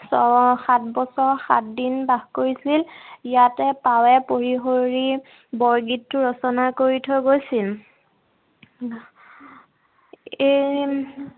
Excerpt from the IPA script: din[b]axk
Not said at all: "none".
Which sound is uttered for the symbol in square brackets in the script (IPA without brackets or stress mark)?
b